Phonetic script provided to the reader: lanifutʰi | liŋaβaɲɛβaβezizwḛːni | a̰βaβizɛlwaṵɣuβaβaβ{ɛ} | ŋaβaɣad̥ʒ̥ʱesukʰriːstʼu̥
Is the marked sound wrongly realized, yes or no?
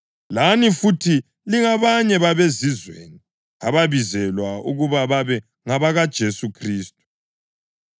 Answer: no